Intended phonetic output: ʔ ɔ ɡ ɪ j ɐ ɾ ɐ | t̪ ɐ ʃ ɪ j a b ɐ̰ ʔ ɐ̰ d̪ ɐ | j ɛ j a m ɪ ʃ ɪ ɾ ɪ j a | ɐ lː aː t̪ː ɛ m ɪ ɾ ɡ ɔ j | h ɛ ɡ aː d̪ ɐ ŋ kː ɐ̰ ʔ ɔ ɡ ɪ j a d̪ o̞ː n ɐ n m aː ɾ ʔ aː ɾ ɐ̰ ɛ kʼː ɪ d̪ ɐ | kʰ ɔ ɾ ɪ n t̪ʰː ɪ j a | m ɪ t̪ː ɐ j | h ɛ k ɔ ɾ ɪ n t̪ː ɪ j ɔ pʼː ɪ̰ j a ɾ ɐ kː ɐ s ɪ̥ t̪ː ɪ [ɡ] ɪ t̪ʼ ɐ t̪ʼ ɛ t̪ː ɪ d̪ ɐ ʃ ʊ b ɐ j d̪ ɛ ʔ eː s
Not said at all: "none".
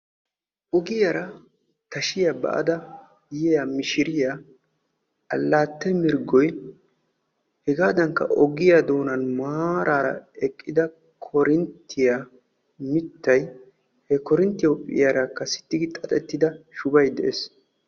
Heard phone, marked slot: ɡ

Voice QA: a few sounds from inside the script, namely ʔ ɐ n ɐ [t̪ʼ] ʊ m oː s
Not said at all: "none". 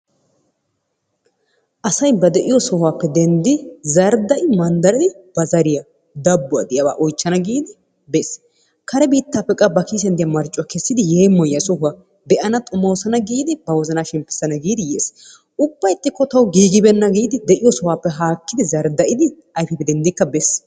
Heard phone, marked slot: t̪ʼ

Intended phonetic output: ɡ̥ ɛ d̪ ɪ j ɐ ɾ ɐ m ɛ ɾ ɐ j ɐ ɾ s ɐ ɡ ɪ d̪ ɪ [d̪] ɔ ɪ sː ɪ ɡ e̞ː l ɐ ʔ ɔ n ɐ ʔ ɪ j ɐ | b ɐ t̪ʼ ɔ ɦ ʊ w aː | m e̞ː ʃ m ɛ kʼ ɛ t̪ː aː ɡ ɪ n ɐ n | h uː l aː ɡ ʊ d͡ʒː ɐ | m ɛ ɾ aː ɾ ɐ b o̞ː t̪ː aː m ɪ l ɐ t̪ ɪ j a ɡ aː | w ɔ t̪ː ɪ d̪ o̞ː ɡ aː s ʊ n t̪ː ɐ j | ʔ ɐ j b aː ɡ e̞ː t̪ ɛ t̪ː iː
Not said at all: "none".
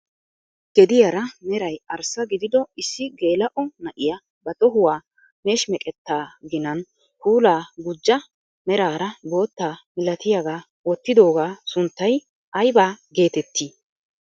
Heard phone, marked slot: d̪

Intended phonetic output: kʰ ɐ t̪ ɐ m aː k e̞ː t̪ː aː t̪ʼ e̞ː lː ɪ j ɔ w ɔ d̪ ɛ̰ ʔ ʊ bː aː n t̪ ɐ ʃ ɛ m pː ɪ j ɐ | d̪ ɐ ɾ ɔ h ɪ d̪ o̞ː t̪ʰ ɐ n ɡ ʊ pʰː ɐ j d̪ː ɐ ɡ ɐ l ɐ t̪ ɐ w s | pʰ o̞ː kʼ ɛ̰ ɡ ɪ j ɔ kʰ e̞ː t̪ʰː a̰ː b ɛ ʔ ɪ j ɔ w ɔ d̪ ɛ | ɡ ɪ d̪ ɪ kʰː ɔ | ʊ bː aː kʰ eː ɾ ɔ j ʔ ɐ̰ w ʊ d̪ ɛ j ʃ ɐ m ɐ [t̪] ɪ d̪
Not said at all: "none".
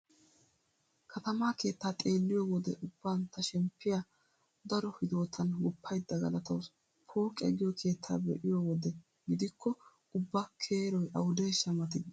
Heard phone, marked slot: t̪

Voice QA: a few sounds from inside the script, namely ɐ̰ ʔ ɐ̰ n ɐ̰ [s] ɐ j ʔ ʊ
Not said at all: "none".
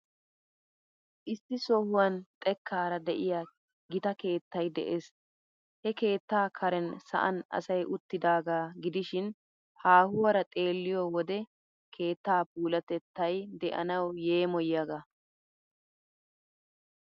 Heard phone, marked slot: s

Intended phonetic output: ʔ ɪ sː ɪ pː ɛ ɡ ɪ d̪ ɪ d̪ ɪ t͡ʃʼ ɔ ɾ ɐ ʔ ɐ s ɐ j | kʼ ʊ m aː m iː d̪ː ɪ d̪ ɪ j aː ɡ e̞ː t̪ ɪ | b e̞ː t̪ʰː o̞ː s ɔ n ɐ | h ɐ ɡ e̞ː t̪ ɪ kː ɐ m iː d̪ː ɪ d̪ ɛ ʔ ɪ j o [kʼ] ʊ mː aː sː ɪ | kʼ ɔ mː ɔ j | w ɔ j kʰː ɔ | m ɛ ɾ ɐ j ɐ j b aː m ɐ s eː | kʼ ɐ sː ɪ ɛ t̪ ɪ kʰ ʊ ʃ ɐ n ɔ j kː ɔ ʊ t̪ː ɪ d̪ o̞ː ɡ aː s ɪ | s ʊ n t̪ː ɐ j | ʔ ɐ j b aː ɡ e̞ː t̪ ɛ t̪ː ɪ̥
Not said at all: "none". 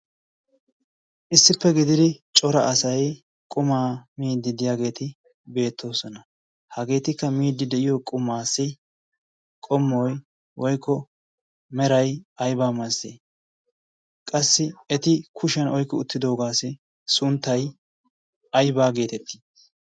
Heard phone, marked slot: kʼ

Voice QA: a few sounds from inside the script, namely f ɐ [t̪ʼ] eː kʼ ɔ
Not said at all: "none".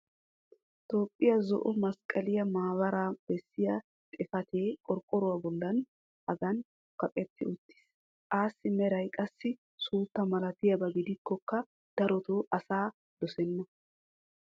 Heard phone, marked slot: t̪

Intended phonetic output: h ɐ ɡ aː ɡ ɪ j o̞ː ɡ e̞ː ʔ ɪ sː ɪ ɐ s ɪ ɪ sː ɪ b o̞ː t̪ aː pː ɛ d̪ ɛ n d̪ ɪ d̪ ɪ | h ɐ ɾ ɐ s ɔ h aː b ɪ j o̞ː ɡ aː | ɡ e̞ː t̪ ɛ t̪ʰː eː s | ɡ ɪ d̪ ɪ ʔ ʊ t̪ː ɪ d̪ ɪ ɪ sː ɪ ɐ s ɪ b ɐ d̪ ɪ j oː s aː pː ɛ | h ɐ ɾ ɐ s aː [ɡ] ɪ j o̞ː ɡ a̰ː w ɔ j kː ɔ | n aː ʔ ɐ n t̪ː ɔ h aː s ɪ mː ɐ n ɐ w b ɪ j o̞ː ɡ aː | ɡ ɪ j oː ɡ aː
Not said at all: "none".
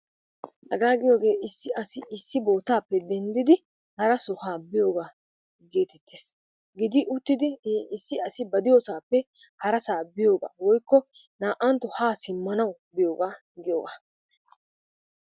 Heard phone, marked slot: b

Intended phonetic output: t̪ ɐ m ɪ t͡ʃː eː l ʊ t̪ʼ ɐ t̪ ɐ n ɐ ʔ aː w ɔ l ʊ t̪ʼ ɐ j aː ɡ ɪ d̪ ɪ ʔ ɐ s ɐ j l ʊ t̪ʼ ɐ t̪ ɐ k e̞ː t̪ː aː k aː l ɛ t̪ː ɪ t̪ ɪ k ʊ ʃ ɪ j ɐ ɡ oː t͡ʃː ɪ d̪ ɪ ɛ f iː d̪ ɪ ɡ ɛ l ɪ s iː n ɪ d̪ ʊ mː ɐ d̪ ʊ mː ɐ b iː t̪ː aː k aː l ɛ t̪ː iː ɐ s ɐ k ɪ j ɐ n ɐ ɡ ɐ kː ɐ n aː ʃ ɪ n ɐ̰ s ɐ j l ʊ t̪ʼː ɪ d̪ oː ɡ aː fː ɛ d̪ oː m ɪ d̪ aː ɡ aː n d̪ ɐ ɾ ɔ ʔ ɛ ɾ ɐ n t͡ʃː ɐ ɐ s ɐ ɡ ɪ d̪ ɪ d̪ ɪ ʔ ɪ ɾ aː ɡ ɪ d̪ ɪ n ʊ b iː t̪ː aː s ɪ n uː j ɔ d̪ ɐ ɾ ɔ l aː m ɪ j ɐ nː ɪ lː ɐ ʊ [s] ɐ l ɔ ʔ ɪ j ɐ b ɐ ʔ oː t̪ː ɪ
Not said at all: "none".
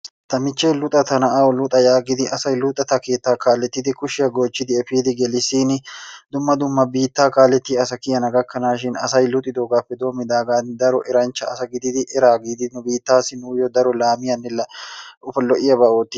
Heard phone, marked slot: f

